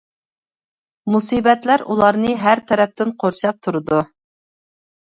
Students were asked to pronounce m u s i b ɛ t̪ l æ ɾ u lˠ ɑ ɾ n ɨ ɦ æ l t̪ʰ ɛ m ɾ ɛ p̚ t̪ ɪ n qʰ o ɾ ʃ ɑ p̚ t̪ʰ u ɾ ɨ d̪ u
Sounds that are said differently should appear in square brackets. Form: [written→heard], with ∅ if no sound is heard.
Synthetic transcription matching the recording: m u s i b ɛ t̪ l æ ɾ u lˠ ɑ ɾ n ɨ ɦ æ [l→ɾ] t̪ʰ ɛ [m→∅] ɾ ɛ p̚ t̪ ɪ n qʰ o ɾ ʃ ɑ p̚ t̪ʰ u ɾ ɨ d̪ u